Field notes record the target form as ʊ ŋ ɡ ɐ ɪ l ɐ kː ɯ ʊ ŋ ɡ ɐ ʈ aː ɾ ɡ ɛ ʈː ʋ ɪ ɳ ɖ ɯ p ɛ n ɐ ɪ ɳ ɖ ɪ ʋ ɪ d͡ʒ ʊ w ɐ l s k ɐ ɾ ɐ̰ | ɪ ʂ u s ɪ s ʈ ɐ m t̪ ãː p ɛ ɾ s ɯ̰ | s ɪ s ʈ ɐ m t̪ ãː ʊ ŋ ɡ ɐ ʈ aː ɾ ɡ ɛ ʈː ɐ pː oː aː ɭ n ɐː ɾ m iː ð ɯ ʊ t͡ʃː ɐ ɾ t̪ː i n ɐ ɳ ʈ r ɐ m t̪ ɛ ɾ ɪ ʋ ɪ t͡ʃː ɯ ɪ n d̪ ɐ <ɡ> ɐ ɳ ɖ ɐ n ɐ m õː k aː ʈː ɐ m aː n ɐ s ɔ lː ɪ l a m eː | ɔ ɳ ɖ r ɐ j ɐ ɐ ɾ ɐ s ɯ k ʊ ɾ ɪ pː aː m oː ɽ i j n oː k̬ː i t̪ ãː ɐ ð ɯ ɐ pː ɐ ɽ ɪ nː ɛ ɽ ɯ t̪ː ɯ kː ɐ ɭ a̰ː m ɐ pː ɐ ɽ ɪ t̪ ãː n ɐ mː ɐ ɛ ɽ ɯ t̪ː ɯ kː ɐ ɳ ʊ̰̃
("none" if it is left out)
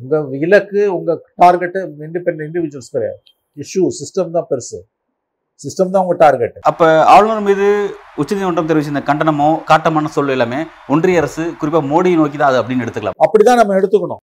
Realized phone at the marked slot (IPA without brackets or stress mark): k